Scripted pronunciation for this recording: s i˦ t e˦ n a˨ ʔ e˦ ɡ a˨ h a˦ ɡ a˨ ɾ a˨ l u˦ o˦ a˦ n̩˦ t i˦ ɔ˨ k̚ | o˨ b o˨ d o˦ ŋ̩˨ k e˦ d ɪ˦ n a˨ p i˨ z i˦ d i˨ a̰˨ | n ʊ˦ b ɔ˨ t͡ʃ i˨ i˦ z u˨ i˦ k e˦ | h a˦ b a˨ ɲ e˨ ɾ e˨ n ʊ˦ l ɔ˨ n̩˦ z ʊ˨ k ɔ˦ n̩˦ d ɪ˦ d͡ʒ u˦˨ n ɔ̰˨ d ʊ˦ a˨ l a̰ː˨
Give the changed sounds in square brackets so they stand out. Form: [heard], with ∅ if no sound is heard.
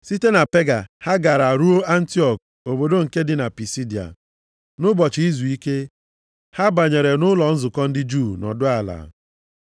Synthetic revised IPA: s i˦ t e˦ n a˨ [p] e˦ ɡ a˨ h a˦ ɡ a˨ ɾ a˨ [ɾ] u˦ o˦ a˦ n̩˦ t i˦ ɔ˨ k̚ | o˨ b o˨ d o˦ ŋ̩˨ k e˦ d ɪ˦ n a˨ p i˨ [s] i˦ d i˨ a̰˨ | n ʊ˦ b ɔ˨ t͡ʃ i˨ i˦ z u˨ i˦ k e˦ | h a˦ b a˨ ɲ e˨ ɾ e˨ n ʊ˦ l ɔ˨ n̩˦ z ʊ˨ k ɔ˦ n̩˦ d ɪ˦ d͡ʒ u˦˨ n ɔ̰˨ d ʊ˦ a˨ l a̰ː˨